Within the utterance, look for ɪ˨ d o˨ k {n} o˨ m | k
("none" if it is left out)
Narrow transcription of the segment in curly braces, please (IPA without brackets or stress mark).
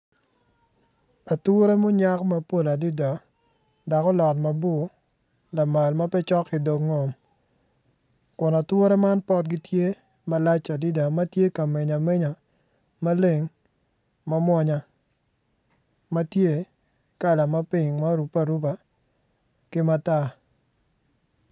ŋ